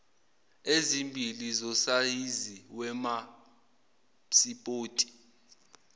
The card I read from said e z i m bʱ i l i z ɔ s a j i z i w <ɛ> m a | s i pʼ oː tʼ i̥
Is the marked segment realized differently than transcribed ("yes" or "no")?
no